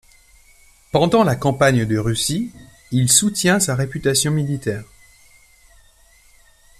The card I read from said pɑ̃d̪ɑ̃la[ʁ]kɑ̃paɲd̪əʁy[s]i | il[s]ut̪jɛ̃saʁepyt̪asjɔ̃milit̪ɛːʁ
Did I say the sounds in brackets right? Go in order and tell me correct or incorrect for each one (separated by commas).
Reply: incorrect, correct, correct